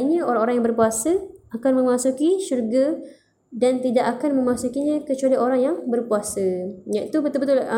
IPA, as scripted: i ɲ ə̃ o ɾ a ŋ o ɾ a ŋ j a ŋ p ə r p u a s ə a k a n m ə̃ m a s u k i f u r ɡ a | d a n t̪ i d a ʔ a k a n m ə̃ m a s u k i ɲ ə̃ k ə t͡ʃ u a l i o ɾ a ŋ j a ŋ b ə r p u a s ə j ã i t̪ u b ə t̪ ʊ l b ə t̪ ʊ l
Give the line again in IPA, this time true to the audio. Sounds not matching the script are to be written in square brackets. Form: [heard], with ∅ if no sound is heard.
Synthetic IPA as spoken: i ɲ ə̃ o ɾ a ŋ o ɾ a ŋ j a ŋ [b] ə r p u a s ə a k a n m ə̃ m a s u k i [ʃ] u r ɡ a | d a n t̪ i d a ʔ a k a n m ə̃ m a s u k i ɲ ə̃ k ə t͡ʃ u a l i o ɾ a ŋ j a ŋ b ə r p u a s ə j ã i t̪ u b ə t̪ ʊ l b ə t̪ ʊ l